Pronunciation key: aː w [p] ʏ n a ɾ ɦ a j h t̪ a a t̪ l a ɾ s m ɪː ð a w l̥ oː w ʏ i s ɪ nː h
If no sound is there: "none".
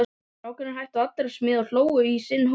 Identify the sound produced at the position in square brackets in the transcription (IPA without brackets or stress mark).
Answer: k